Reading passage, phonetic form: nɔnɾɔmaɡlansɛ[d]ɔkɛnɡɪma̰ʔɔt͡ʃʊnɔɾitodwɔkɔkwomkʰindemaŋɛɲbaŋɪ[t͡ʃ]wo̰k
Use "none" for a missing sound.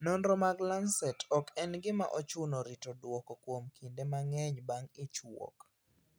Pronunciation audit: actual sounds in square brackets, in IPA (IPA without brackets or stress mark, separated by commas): t, t͡ʃ